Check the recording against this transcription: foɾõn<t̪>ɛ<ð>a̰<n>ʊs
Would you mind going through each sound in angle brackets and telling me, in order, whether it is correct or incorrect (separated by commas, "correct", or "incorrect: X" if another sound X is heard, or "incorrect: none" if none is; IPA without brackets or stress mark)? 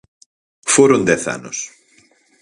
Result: incorrect: d̪, incorrect: θ, correct